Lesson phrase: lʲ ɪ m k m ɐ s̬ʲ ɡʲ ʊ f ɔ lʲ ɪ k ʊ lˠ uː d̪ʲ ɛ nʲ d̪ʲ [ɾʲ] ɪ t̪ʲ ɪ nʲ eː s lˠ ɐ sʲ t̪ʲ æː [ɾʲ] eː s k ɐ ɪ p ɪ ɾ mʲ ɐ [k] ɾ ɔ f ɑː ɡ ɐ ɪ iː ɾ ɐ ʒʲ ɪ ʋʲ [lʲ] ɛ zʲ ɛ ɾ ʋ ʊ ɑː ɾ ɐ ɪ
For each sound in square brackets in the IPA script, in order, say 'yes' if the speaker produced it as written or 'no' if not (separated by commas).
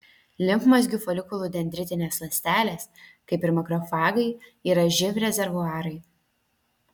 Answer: yes, no, yes, no